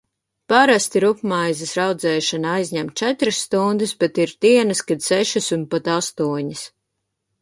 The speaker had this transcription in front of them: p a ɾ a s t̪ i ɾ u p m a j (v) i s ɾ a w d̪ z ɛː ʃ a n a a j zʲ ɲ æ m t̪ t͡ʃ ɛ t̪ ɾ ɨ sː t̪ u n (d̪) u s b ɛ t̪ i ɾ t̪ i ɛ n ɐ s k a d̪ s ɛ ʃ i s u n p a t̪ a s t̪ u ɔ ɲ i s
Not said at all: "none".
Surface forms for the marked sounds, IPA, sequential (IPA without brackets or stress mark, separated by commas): z, d̪